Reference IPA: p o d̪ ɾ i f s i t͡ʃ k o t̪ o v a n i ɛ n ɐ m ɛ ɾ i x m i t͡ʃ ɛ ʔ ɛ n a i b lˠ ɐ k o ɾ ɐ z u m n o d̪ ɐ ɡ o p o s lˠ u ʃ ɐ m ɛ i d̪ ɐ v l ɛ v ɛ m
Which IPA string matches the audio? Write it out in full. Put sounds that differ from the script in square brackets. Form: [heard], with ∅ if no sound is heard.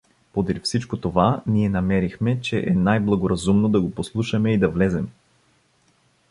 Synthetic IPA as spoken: p o d̪ ɾ i f s i t͡ʃ k o t̪ o v a n i ɛ n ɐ m ɛ ɾ i x m [ɛ] t͡ʃ ɛ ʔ ɛ n a [j] b lˠ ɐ [ɡ] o ɾ ɐ z u m n o d̪ ɐ ɡ o p o s lˠ u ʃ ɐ m ɛ i d̪ ɐ v l ɛ [z] ɛ m

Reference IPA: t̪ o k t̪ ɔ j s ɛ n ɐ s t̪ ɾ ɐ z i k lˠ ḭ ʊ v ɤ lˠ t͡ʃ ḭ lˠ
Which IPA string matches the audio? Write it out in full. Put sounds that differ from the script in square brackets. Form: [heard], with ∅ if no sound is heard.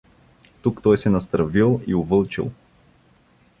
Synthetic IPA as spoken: t̪ [u] k t̪ ɔ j s ɛ n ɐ s t̪ ɾ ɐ [v] i [∅] lˠ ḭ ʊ v ɤ lˠ t͡ʃ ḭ lˠ

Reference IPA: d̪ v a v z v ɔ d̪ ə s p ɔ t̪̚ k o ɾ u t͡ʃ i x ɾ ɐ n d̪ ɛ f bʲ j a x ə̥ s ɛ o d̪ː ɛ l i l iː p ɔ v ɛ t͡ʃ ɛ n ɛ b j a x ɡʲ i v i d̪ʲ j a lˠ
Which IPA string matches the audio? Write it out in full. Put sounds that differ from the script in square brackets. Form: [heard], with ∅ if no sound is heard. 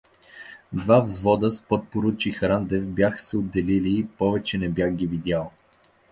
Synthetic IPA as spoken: d̪ v a v z v ɔ d̪ ə s p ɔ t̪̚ [p] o ɾ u t͡ʃ i x ɾ [a] n d̪ ɛ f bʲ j a x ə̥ s ɛ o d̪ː ɛ l i l iː p ɔ v ɛ t͡ʃ ɛ n ɛ b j a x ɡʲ i v i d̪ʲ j a lˠ

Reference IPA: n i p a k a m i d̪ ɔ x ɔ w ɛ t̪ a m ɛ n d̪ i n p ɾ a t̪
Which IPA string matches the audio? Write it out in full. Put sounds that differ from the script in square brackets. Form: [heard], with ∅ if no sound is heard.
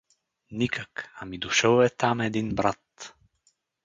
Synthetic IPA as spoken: n i [k] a k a m i d̪ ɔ [ʃ] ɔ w ɛ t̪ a m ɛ [∅] d̪ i n [b] ɾ a t̪

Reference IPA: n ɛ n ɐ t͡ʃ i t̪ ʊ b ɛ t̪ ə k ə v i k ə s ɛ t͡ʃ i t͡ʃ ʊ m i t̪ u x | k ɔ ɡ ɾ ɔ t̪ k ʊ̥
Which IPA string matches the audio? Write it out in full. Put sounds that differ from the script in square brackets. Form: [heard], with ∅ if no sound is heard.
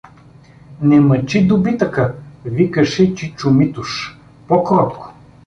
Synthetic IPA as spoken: n ɛ [m] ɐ t͡ʃ i [d̪] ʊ b [i] t̪ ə k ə v i k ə [ʃ] ɛ t͡ʃ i t͡ʃ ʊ m i t̪ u [ʃ] | [p] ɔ [k] ɾ ɔ t̪ k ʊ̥

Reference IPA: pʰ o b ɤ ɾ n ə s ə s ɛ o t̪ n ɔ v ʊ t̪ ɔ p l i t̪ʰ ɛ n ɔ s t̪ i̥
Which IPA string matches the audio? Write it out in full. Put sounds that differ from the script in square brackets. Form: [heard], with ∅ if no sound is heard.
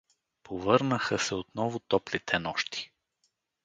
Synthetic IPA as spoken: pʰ o [v] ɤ ɾ n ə [x] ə s ɛ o t̪ n ɔ v ʊ t̪ ɔ p l i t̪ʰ ɛ n ɔ [ʃ] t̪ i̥

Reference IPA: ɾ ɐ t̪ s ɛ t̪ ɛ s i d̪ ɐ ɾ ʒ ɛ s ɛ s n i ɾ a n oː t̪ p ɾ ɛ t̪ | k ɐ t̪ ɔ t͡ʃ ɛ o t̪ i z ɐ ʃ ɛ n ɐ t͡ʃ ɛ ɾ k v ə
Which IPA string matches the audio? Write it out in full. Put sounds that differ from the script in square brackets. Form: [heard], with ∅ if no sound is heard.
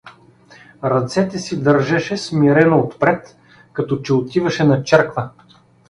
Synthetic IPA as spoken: ɾ ɐ t̪ s ɛ t̪ ɛ s i d̪ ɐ ɾ ʒ ɛ [ʃ] ɛ s [m] i ɾ [ɛ] n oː t̪ p ɾ ɛ t̪ | k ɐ t̪ ɔ t͡ʃ ɛ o t̪ i [v] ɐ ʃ ɛ n ɐ t͡ʃ ɛ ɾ k v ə

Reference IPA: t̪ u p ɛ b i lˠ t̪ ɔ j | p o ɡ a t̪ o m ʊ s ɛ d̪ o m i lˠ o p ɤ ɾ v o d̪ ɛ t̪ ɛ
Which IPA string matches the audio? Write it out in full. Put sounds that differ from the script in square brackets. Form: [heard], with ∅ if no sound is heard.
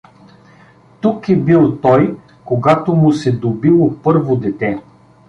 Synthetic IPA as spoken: t̪ u [k] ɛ b i lˠ t̪ ɔ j | [k] o ɡ a t̪ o m ʊ s ɛ d̪ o [b] i lˠ o p ɤ ɾ v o d̪ ɛ t̪ ɛ

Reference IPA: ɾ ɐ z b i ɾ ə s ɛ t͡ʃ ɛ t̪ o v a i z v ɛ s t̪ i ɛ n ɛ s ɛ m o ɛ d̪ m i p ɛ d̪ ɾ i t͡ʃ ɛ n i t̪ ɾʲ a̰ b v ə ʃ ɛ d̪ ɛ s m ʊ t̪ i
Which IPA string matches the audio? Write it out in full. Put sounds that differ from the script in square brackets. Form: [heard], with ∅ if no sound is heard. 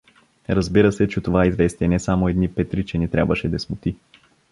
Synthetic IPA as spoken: ɾ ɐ z b i ɾ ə s ɛ t͡ʃ ɛ t̪ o v a i z v ɛ s t̪ i ɛ n ɛ s [a] m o ɛ d̪ [n] i p ɛ [t̪] ɾ i t͡ʃ ɛ n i t̪ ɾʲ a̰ b v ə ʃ ɛ d̪ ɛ s m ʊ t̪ i

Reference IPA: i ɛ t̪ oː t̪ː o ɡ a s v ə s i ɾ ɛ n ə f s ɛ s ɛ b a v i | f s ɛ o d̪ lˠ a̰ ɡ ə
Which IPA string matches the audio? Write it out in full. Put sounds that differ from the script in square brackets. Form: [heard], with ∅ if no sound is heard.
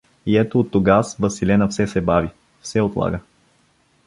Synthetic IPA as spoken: i ɛ t̪ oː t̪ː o ɡ a s v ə s i [l] ɛ n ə f s ɛ s ɛ b a v i | f s ɛ o [t̪] lˠ a̰ ɡ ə

